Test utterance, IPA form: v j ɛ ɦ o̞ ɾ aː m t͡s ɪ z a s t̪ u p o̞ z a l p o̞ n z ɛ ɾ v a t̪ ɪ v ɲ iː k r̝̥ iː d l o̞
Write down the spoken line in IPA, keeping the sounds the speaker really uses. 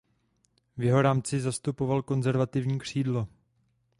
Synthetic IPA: v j ɛ ɦ o̞ ɾ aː m t͡s ɪ z a s t̪ u p o̞ v a l k o̞ n z ɛ ɾ v a t̪ ɪ v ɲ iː k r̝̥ iː d l o̞